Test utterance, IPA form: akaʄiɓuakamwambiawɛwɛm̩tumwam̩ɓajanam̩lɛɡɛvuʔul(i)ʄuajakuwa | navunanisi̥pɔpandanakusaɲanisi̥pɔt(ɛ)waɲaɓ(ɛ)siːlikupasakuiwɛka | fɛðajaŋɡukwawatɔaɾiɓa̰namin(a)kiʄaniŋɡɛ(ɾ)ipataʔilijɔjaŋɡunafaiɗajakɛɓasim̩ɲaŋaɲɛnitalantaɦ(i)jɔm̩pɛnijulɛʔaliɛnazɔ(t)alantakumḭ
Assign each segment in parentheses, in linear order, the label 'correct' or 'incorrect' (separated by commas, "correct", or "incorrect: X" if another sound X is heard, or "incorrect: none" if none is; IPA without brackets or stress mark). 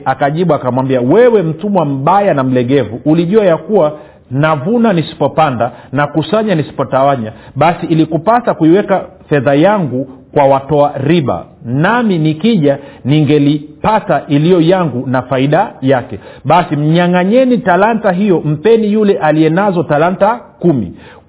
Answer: correct, incorrect: a, incorrect: a, incorrect: i, incorrect: l, correct, correct